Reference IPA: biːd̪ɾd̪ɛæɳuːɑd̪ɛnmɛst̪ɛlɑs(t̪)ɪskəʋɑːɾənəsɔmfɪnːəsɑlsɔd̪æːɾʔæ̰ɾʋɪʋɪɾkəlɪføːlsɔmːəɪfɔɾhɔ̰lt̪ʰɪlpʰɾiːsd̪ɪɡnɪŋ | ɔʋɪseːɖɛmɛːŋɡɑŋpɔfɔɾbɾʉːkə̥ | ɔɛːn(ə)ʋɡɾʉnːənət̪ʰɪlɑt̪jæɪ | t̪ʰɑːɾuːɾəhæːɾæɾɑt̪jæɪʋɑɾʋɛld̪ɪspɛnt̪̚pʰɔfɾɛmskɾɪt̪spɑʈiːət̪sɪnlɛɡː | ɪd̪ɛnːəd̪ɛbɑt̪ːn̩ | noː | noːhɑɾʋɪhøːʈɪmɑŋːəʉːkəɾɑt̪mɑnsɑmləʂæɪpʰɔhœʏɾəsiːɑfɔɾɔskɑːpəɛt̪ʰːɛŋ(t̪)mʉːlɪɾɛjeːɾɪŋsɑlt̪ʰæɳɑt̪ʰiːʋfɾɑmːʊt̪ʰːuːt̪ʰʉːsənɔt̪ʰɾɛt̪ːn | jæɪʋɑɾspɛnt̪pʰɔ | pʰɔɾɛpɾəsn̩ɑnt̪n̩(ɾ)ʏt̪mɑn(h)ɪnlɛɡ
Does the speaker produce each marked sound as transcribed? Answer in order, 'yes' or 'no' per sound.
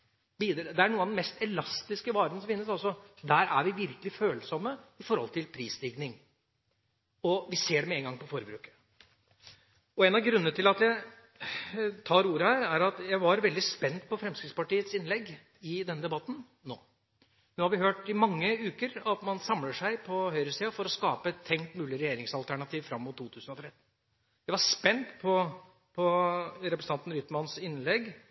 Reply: yes, no, yes, yes, no

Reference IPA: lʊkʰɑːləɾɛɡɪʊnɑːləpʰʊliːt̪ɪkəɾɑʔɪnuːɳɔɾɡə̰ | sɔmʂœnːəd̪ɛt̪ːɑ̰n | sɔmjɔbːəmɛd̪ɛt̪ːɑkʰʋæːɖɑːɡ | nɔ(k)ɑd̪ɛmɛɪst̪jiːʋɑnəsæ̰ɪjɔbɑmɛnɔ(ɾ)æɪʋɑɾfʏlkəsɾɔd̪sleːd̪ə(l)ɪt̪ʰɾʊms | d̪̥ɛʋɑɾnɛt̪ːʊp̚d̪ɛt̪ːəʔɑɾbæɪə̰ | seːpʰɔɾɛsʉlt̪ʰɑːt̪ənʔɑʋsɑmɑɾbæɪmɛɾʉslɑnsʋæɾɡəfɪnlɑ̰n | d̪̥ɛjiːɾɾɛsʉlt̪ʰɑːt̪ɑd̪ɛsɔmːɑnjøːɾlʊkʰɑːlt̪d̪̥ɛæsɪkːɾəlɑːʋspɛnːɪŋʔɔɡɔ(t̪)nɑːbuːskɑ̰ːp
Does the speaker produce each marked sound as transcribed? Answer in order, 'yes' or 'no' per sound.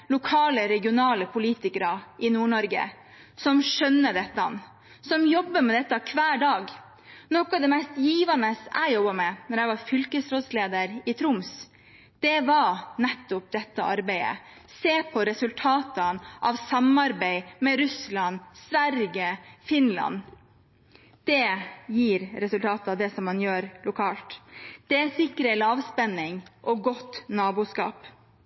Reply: yes, yes, no, yes

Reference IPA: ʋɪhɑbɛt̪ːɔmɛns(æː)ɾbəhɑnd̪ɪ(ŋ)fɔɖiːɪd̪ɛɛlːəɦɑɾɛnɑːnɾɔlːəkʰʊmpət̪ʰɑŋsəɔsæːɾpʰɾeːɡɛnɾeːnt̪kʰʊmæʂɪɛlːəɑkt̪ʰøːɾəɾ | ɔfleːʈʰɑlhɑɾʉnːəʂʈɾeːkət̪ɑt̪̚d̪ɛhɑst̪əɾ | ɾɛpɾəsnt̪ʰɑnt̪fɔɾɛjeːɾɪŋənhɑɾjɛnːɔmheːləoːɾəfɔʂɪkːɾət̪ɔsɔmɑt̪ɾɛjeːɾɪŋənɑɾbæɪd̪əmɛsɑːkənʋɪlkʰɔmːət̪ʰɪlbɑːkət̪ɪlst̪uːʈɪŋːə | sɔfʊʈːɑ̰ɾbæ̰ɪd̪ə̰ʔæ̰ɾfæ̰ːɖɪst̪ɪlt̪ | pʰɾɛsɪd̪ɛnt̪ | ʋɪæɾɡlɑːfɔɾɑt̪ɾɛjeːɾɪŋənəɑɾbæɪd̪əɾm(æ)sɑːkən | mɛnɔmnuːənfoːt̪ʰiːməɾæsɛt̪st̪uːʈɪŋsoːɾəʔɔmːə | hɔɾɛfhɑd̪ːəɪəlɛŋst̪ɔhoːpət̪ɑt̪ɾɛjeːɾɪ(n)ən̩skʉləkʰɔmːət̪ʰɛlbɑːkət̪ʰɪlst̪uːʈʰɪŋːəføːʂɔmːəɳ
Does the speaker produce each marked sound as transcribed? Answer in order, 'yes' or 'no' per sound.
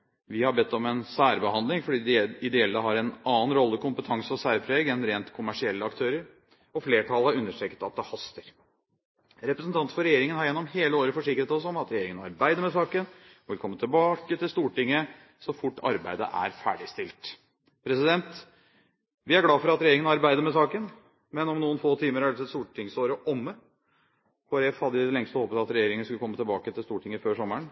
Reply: yes, yes, no, no

